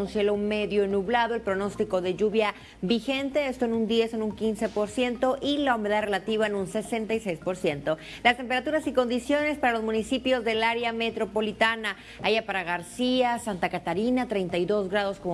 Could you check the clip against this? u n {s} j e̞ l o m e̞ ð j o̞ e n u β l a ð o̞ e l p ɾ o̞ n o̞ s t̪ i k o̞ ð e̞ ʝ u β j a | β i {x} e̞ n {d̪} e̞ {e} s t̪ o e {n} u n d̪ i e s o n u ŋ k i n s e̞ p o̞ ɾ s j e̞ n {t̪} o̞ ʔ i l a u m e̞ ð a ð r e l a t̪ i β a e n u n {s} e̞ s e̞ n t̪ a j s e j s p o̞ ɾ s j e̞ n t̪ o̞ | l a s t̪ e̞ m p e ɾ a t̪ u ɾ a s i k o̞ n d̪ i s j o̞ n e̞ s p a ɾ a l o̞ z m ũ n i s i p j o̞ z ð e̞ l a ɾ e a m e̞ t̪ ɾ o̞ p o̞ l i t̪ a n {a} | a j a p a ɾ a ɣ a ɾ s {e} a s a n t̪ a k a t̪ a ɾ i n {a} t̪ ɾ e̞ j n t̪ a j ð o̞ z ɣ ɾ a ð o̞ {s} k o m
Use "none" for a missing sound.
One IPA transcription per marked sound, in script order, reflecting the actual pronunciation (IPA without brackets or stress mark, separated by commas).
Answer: s, x, t̪, e, n, t̪, s, a, i, a, s